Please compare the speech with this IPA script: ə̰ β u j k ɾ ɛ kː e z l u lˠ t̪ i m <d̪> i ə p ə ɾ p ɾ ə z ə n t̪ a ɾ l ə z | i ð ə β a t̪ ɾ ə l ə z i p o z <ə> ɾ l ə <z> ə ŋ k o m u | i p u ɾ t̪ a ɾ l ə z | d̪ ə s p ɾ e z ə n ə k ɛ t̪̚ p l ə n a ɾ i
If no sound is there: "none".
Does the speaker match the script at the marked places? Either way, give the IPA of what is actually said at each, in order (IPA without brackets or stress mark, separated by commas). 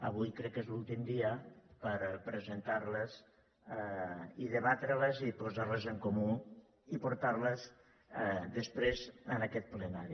d̪, a, z